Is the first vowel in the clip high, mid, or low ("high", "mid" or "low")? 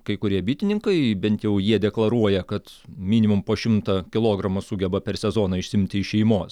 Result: low